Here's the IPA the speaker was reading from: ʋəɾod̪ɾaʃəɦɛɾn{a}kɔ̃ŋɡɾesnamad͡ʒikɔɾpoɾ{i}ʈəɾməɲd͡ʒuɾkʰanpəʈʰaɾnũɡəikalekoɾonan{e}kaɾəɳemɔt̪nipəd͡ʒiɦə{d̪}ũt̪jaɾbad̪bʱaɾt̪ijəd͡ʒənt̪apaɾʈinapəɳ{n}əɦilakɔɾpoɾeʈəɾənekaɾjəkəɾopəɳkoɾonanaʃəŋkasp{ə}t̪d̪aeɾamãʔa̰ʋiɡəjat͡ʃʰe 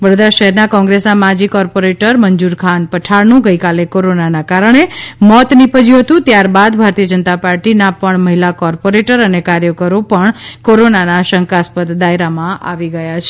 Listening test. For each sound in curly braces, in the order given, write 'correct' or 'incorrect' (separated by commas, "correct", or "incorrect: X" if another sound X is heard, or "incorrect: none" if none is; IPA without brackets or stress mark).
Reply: correct, incorrect: e, incorrect: a, incorrect: t̪, incorrect: m, correct